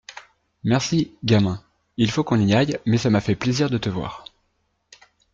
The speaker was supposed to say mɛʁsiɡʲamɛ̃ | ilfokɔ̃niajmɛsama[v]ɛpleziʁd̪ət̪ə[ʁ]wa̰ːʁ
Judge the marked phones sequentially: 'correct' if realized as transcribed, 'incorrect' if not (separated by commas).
incorrect, incorrect